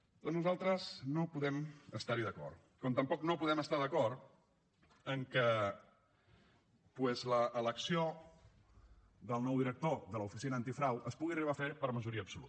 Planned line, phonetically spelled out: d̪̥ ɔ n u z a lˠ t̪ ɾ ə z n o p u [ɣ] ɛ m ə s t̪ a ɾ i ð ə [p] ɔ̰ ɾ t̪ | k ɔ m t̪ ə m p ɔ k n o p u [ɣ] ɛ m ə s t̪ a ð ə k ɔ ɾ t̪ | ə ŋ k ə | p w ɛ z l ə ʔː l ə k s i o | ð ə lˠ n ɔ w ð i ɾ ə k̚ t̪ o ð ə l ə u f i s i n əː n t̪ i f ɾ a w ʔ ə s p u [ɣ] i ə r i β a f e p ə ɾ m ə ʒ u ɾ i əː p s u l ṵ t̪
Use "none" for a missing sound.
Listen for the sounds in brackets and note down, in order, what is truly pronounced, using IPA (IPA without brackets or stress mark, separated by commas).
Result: ð, k, ð, ɣ